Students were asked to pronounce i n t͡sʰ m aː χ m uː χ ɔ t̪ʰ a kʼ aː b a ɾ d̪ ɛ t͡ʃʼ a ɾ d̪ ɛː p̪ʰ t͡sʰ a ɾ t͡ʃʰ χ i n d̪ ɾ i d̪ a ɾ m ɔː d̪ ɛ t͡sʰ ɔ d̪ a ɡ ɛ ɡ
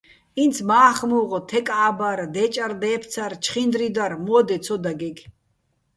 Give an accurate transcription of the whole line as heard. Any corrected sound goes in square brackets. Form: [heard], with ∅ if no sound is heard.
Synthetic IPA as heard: i n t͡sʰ m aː χ m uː [ʁ] ɔ t̪ʰ [ɛ] kʼ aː b a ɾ d̪ ɛ t͡ʃʼ a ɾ d̪ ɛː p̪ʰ t͡sʰ a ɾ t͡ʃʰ χ i n d̪ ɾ i d̪ a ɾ m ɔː d̪ ɛ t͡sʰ ɔ d̪ a ɡ ɛ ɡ

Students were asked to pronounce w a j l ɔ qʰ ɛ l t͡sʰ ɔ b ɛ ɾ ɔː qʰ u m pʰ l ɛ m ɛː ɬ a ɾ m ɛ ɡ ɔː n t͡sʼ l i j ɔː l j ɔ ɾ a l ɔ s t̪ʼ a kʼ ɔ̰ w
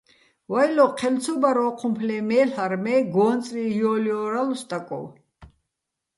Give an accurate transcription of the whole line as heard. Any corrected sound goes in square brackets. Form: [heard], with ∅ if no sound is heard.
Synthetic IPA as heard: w a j l ɔ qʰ ɛ l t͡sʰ ɔ b [a] ɾ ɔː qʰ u m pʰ l ɛ m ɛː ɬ a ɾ m ɛ ɡ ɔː n t͡sʼ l i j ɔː l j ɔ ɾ a l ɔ s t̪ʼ a kʼ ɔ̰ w

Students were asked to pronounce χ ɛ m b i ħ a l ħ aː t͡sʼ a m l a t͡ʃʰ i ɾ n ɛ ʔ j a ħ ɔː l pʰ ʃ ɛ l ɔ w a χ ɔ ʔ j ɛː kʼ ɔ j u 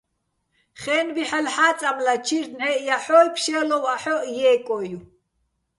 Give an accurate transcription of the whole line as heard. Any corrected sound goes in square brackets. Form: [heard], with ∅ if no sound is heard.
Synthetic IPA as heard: χ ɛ [n] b i ħ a l ħ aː t͡sʼ a m l a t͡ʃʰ i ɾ n ɛ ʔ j a ħ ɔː l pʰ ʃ ɛ l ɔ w a [ħ] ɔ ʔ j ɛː kʼ ɔ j u

